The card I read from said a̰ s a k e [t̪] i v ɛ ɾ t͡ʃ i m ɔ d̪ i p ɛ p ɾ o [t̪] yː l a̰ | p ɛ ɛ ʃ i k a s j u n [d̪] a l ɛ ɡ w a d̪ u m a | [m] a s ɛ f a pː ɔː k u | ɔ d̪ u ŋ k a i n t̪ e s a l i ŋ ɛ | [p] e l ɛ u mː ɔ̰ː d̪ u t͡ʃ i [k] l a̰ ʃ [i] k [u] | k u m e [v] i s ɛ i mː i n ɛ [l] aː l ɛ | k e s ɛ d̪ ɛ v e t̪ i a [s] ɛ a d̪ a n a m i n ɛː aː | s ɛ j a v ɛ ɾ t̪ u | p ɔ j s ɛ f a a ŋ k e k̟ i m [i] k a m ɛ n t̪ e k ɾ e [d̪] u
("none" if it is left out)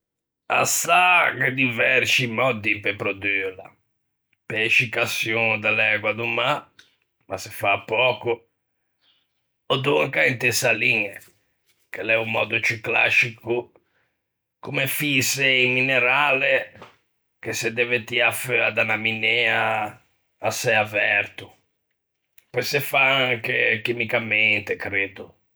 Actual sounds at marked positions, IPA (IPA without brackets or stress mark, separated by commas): d̪, d̪, d̪, m, k, k, i, u, f, ɾ, f, i, d̪